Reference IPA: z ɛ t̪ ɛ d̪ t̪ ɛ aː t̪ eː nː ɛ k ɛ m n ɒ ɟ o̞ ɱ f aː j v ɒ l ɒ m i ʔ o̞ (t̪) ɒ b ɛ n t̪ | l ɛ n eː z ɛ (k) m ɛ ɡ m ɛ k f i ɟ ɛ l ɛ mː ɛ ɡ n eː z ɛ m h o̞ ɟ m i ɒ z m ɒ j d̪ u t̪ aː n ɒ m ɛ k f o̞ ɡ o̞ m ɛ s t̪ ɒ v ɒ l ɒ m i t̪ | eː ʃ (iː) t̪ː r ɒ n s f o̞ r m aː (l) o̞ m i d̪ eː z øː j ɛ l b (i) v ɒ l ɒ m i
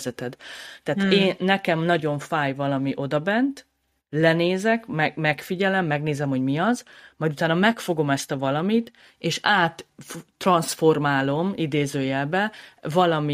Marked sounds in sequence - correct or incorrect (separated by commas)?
incorrect, correct, incorrect, correct, incorrect